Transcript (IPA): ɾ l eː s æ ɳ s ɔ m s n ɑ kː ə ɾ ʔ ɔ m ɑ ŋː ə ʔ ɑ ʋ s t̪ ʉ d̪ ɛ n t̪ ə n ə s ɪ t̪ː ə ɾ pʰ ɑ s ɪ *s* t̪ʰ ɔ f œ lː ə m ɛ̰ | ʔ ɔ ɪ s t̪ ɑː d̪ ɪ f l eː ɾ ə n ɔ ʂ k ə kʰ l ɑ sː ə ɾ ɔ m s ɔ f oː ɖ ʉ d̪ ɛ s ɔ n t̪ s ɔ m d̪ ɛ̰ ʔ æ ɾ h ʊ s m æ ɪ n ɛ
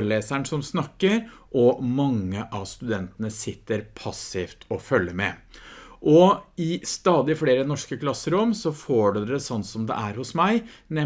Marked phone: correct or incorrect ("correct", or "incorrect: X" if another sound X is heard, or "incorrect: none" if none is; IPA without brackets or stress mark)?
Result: incorrect: f